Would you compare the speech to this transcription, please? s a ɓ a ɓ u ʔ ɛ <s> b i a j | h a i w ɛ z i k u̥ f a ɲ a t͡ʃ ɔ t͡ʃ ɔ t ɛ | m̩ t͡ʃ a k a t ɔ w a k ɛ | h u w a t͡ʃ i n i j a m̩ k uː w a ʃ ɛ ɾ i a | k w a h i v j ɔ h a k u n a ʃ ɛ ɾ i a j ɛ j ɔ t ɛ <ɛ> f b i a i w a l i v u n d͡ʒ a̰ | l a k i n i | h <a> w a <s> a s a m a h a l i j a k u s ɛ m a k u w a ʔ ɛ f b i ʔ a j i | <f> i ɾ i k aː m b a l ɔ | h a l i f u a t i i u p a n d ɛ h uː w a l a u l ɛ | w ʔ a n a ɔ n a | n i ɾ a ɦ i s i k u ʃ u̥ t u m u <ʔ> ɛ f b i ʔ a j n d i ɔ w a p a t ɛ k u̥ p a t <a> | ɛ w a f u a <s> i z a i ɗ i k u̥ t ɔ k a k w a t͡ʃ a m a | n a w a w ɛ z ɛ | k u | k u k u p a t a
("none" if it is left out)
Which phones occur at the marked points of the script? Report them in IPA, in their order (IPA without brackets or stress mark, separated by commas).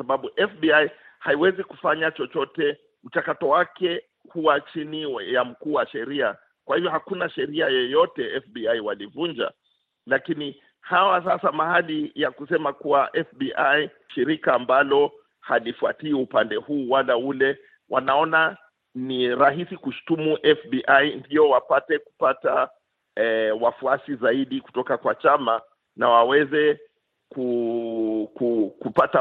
f, ɛ, a, s, ʃ, ʔ, a, s